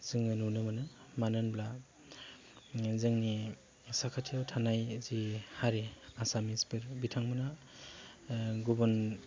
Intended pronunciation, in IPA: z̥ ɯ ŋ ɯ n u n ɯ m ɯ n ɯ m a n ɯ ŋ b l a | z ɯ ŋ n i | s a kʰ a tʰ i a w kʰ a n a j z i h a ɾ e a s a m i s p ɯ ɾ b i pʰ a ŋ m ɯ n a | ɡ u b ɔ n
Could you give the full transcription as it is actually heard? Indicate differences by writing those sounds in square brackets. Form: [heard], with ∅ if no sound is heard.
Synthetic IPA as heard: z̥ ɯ ŋ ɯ n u n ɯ m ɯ n ɯ m a n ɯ [n] b l a | z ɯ ŋ n i | s a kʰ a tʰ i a w [tʰ] a n a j z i h a ɾ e a s a m i s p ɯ ɾ b i [tʰ] a ŋ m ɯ n a | ɡ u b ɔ n